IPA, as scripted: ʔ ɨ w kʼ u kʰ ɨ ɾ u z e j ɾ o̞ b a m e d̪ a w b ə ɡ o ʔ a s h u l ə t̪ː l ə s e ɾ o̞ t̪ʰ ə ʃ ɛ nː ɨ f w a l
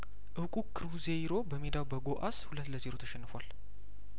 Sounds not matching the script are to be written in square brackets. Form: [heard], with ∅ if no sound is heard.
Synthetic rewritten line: ʔ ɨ w kʼ u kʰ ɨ ɾ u z e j ɾ o̞ b [ə] m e d̪ a w b ə ɡ o ʔ a s h u l ə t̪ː l ə [z] e ɾ o̞ t̪ʰ ə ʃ ɛ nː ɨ f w a l

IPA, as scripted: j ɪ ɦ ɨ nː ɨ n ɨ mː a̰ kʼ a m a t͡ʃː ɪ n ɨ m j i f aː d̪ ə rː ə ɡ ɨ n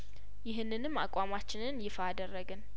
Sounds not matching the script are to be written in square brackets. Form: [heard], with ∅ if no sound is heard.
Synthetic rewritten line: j ɪ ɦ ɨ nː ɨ n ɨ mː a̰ kʼ a m a t͡ʃː ɪ n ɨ [n] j [ɪ] f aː d̪ ə rː ə ɡ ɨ n

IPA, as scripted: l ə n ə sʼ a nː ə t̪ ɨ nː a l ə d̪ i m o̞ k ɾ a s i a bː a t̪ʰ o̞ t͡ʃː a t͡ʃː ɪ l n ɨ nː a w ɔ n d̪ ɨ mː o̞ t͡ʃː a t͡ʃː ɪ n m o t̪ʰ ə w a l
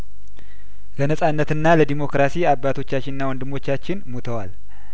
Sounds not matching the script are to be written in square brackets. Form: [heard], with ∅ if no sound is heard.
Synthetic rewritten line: l ə n ə sʼ a nː ə t̪ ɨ nː a l ə d̪ i m o̞ k ɾ a s i a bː a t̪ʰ o̞ t͡ʃː a t͡ʃː ɪ [∅] n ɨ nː a w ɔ n d̪ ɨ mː o̞ t͡ʃː a t͡ʃː ɪ n m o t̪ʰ ə w a l

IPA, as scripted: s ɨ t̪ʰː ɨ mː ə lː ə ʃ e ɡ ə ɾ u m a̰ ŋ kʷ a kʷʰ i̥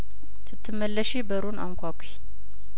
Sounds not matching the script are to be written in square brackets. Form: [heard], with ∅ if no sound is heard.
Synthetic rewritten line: s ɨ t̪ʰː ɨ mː ə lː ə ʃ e [b] ə ɾ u [n] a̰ ŋ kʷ a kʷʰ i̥

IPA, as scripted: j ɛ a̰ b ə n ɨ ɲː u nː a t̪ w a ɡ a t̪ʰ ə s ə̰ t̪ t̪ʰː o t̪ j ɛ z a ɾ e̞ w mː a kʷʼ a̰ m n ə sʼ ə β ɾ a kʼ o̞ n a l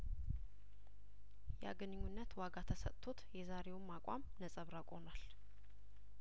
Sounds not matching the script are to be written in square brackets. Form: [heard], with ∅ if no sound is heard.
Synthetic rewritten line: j ɛ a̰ [ɡ] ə n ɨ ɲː u nː [ə] t̪ w a ɡ a t̪ʰ ə s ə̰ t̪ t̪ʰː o t̪ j ɛ z a ɾ e̞ w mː a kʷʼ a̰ m n ə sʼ ə β ɾ a kʼ o̞ n a l

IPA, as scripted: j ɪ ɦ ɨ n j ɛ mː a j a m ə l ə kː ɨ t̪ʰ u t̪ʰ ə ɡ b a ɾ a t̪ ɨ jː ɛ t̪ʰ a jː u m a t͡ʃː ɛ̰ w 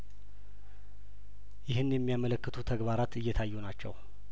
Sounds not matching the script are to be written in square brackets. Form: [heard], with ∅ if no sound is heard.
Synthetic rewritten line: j ɪ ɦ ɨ n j ɛ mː [i] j a m ə l ə kː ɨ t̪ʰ u t̪ʰ ə ɡ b a ɾ a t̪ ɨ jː ɛ t̪ʰ a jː u [n] a t͡ʃː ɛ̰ w

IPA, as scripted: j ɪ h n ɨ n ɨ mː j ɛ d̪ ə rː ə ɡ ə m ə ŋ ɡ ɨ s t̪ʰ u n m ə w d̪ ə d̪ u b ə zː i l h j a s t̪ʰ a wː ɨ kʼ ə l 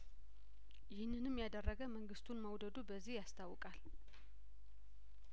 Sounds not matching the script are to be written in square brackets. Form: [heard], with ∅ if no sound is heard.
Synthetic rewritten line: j ɪ h n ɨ n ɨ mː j [a] d̪ ə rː ə ɡ ə m ə ŋ ɡ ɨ s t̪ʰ u n m ə w d̪ ə d̪ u b ə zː i [∅] h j a s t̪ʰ a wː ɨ kʼ [a] l

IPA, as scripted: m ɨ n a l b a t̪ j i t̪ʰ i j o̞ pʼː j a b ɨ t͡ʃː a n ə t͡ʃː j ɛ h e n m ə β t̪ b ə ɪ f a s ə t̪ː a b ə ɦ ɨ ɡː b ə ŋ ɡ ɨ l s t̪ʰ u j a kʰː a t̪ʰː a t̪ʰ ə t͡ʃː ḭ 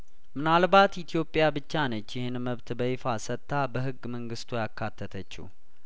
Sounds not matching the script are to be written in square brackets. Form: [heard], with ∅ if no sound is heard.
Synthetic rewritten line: m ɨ n a l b a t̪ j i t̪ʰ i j o̞ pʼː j a b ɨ t͡ʃː a n ə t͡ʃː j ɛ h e n m ə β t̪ b ə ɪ f a s ə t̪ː a b ə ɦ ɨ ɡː [m] ə ŋ ɡ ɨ [∅] s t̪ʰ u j a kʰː a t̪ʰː [ə] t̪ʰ ə t͡ʃː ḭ

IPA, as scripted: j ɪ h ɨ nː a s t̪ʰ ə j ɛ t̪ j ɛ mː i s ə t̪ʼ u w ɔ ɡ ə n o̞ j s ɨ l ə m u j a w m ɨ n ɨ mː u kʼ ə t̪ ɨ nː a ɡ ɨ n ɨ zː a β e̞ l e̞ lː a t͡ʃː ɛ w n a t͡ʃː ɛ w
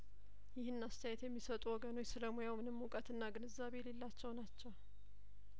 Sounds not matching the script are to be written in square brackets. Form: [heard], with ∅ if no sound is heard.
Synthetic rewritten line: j ɪ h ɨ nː a s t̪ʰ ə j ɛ t̪ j ɛ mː i s ə t̪ʼ u w ɔ ɡ ə n o̞ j s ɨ l ə m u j a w m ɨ n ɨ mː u kʼ ə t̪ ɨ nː a ɡ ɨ n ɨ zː a β e̞ l e̞ lː a t͡ʃː ɛ w n a t͡ʃː ɛ w

